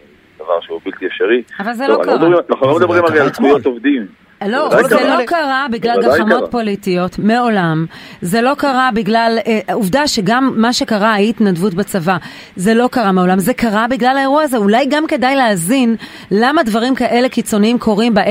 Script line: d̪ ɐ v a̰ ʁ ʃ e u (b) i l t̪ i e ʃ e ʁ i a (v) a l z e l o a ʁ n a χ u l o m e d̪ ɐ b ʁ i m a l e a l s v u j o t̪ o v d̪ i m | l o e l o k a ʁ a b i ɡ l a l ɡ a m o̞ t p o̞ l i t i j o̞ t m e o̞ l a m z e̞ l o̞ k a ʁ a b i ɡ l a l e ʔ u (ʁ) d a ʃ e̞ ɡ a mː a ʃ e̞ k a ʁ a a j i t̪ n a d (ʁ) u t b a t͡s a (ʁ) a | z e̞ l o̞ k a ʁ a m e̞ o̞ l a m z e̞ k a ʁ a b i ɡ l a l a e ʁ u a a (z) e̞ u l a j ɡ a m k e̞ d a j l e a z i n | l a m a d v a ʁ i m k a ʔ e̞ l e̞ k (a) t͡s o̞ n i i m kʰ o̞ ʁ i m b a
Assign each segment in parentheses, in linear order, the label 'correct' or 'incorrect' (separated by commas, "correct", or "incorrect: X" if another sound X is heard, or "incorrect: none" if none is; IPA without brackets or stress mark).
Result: correct, correct, incorrect: v, incorrect: v, incorrect: v, correct, incorrect: i